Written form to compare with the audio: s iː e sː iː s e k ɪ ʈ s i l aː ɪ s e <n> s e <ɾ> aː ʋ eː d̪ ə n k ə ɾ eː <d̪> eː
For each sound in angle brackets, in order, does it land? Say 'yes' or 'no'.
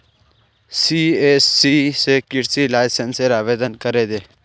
yes, yes, yes

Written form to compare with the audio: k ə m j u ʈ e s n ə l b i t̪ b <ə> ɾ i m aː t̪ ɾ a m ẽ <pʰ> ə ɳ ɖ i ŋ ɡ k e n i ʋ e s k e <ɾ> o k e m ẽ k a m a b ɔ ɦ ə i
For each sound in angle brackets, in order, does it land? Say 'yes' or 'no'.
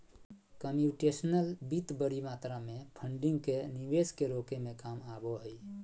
yes, yes, yes

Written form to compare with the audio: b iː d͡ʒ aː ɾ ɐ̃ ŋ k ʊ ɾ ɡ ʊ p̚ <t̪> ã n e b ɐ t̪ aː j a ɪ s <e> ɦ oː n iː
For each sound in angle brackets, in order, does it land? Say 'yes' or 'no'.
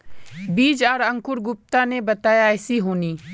yes, no

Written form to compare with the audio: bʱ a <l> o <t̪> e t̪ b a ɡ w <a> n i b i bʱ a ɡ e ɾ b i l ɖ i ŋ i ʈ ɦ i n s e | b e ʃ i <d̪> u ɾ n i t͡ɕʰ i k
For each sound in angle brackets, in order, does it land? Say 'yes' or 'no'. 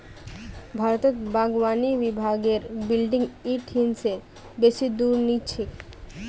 no, yes, yes, yes

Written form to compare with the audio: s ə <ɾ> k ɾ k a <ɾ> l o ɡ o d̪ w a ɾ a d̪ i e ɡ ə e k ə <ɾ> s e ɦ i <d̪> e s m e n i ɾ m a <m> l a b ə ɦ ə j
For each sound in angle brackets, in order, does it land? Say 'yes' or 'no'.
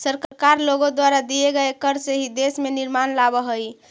yes, yes, yes, yes, no

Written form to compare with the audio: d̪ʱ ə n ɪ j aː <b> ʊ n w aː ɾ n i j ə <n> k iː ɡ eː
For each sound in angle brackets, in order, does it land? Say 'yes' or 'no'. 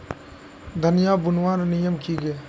yes, no

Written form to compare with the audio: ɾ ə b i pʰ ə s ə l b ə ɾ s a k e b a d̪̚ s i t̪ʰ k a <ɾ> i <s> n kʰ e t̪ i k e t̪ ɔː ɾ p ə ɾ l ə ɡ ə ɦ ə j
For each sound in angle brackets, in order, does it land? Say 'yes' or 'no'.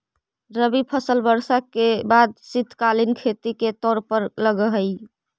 no, no

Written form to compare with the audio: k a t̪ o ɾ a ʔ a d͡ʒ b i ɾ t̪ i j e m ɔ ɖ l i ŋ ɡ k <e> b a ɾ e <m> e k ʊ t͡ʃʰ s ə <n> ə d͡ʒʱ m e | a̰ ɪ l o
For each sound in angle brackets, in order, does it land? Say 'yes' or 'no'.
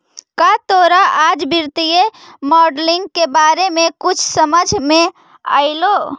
yes, yes, no

